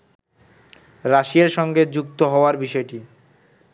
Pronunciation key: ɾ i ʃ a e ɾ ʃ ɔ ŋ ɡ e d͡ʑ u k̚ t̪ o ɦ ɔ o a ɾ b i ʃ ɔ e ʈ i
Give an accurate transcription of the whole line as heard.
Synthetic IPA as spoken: ɾ a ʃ i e ɾ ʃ ɔ ŋ ɡ e d͡ʑ u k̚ t̪ o ɦ ɔ o a ɾ b i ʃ ɔ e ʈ i

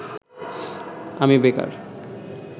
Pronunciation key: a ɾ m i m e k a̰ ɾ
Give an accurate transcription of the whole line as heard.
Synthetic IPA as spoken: a m i b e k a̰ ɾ

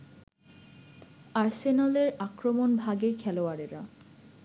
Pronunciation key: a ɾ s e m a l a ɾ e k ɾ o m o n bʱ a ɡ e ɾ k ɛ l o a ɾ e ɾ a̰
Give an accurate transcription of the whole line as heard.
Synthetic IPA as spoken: a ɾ s e n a l e ɾ a k ɾ o m o n bʱ a ɡ e ɾ kʰ ɛ l o a ɾ e ɾ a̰

